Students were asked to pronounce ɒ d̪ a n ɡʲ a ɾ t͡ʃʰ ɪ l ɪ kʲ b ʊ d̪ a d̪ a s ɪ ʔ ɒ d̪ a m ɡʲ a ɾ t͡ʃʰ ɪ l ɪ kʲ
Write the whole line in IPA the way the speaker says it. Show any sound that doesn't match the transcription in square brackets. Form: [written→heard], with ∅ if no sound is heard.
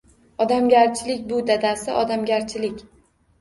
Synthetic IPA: ɒ d̪ a [n→m] ɡʲ a ɾ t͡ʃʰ ɪ l ɪ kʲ b ʊ d̪ a d̪ a s ɪ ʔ ɒ d̪ a m ɡʲ a ɾ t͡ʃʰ ɪ l ɪ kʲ